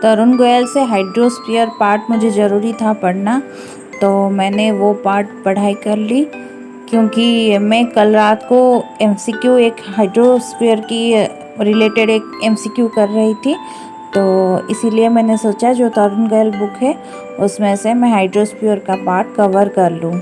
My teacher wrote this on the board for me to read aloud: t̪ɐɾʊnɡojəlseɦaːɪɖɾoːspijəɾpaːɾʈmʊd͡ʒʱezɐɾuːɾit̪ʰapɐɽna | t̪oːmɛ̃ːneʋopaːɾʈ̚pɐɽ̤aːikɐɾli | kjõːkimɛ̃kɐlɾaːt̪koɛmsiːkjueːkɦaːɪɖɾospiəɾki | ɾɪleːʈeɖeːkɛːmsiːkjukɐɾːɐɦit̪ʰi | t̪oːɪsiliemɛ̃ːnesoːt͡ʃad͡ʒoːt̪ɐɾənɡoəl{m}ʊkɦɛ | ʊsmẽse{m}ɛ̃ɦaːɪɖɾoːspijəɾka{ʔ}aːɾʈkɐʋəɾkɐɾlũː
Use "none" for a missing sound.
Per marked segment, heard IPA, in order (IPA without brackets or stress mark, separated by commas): b, m, p